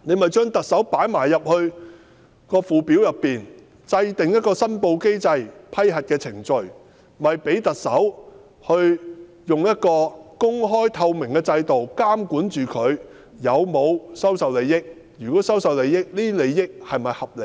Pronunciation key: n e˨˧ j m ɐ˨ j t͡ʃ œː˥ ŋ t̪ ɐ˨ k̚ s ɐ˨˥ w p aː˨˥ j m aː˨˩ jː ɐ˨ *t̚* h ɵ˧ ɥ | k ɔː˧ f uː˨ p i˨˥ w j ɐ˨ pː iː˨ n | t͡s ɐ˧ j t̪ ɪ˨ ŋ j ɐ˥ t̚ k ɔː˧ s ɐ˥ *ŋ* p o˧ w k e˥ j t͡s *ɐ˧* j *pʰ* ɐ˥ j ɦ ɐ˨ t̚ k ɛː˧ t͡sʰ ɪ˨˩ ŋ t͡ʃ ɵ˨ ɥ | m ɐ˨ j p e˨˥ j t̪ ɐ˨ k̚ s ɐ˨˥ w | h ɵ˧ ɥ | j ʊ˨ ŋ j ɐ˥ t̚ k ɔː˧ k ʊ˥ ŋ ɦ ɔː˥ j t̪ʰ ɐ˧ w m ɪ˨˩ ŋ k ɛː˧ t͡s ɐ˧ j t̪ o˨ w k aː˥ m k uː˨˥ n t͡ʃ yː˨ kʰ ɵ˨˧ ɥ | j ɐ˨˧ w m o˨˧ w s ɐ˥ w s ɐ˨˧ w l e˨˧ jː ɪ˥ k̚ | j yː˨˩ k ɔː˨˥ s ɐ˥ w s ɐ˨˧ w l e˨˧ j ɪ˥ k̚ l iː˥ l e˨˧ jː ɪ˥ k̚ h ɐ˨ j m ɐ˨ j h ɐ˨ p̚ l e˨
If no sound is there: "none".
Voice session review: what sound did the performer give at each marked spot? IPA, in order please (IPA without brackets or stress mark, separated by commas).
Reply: p̚, n, ɐ˧, pʰ